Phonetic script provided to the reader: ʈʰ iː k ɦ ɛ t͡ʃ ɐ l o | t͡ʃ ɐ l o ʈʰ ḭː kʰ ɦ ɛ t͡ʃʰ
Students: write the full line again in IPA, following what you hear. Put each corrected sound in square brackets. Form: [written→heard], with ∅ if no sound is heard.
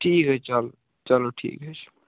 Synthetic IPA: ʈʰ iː k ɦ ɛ t͡ʃ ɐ l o | t͡ʃ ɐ l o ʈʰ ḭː [kʰ→k] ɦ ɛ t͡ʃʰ

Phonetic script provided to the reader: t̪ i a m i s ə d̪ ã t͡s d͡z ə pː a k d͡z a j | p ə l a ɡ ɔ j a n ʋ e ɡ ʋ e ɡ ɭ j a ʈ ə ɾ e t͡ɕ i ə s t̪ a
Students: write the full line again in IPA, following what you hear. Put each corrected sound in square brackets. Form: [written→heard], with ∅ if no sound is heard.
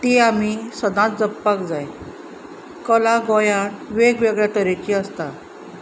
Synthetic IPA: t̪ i a m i s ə d̪ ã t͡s d͡z ə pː a k d͡z a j | [p→k] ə l a ɡ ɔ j a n ʋ e ɡ ʋ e ɡ ɭ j a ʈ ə ɾ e t͡ɕ i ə s t̪ a

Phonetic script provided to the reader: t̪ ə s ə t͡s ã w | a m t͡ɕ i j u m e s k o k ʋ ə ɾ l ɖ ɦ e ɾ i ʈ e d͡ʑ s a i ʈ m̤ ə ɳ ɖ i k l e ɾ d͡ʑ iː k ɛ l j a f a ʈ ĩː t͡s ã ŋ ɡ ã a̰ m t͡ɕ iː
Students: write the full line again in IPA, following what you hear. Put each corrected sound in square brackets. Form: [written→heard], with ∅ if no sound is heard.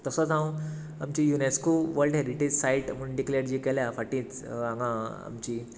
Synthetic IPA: t̪ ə s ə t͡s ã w | a m t͡ɕ i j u [m→n] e s k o [k→∅] ʋ ə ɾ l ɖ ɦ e ɾ i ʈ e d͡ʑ s a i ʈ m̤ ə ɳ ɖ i k l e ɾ d͡ʑ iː k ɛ l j a f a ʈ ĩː t͡s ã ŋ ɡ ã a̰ m t͡ɕ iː

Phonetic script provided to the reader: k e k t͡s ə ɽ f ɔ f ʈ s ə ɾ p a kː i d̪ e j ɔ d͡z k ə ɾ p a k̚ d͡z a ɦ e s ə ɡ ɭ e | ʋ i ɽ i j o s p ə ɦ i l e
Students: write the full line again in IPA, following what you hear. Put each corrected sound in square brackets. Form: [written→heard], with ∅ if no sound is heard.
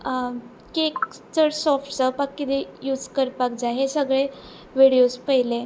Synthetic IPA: k e k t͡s ə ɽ [f→s] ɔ f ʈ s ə [ɾ→∅] p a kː i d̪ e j [ɔ→u] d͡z k ə ɾ p a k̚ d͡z a ɦ e s ə ɡ ɭ e | ʋ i ɽ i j o s p ə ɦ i l e

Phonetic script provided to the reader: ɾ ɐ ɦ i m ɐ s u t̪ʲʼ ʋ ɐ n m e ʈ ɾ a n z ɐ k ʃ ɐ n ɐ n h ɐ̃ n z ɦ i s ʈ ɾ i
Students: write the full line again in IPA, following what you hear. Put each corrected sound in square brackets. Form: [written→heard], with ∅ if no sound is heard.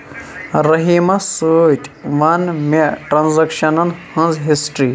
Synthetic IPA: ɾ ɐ ɦ i m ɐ s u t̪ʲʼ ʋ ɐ n m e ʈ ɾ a n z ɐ k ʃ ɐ n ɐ n h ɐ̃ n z ɦ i s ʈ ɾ i

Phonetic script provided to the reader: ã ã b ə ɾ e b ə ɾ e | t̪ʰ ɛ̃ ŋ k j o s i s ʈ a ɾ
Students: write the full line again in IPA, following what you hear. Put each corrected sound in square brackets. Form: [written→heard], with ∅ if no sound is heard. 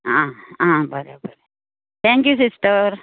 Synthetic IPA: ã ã b ə ɾ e b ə ɾ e | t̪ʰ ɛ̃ ŋ k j [o→u] s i s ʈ [a→ə] ɾ

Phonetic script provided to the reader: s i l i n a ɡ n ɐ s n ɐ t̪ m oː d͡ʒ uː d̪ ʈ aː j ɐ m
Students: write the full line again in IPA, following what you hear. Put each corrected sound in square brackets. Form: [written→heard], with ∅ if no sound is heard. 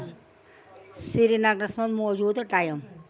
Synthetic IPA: s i [l→ɾ] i n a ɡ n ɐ s [n→m] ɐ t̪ m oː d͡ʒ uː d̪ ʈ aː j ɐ m

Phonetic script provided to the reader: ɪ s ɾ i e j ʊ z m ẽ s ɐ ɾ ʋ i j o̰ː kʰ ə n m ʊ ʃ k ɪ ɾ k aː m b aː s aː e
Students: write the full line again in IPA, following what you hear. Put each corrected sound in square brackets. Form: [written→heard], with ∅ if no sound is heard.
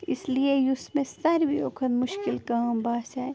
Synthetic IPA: ɪ s [ɾ→l] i e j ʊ [z→s] m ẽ s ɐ ɾ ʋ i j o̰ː kʰ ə n m ʊ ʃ k ɪ [ɾ→l] k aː m b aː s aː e

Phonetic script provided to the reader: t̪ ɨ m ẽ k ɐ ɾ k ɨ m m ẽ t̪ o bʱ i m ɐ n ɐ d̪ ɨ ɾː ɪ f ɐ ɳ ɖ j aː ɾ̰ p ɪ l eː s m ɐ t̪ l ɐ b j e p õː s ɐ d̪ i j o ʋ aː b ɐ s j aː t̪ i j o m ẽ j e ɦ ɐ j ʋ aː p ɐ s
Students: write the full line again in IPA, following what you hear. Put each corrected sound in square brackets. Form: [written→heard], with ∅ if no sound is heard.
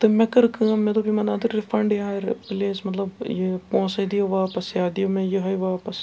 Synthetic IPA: t̪ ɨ m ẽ k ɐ ɾ k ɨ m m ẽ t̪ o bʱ i m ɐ n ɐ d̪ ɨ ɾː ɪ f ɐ ɳ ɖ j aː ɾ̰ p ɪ l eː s m ɐ t̪ l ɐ b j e p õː s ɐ d̪ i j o ʋ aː [b→p] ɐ s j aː [t̪→d̪] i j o m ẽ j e ɦ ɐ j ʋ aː p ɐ s

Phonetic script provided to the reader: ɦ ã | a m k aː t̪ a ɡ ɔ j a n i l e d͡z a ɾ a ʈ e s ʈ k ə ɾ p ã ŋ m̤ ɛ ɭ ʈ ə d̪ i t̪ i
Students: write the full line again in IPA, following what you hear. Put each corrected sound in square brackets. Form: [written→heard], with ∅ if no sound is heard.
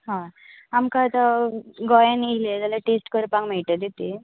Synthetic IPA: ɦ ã | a m k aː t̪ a ɡ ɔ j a n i l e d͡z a [ɾ→l] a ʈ e s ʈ k ə ɾ p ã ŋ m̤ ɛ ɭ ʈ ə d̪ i t̪ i

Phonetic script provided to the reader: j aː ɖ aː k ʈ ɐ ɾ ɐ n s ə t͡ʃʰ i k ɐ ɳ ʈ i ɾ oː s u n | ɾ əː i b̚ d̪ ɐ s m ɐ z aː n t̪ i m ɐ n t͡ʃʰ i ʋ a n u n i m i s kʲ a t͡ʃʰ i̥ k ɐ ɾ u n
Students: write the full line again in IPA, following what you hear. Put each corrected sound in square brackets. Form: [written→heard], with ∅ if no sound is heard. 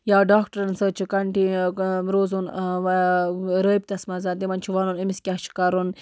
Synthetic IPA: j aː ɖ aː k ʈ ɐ ɾ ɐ n s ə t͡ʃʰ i k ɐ ɳ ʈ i ɾ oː [s→z] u n | ɾ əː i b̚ [d̪→t̪] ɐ s m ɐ z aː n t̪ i m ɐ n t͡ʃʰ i ʋ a n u n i m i s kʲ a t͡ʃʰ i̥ k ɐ ɾ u n

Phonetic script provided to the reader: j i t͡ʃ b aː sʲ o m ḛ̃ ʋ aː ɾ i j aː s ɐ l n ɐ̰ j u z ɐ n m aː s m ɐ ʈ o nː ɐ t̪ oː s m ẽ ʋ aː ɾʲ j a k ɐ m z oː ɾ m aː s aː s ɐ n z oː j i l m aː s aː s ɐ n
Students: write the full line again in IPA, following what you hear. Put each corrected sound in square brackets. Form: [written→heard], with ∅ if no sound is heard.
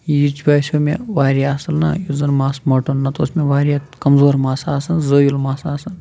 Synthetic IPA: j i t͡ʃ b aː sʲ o m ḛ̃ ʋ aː ɾ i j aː s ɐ l n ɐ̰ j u z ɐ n m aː s m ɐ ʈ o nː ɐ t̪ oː s m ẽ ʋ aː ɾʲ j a k ɐ m z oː ɾ m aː s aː s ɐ n z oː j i l m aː s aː s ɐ n

